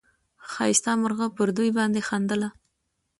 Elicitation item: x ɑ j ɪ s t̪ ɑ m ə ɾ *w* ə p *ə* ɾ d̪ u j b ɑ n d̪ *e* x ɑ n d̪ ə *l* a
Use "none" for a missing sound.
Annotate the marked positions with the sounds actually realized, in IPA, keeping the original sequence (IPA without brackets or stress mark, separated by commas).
ɣ, ə, e, l